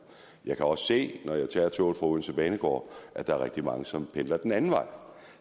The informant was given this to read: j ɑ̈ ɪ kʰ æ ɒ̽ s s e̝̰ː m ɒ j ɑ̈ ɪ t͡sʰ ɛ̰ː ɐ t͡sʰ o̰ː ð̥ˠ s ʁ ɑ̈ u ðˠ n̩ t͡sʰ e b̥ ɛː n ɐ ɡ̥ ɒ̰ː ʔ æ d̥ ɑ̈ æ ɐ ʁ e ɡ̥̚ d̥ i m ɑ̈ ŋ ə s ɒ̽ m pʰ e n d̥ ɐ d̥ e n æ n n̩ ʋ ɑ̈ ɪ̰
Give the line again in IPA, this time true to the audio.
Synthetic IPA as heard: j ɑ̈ ɪ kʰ æ ɒ̽ s s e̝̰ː n ɒ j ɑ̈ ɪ t͡sʰ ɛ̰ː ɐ t͡sʰ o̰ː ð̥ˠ f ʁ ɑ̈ u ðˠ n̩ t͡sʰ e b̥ ɛː n ə ɡ̥ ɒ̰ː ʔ æ d̥ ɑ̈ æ ɐ ʁ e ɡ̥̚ d̥ i m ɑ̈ ŋ ə s ɒ̽ m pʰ e n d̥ ɐ d̥ e n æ n n̩ ʋ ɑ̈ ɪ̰